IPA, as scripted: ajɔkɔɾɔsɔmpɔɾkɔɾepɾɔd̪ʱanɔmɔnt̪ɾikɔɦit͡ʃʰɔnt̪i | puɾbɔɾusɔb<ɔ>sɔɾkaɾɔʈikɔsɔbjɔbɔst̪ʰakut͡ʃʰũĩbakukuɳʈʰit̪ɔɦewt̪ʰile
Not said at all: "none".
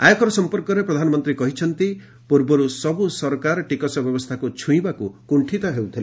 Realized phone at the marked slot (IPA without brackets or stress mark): u